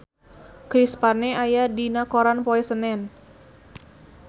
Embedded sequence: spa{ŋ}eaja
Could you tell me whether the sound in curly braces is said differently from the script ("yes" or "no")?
yes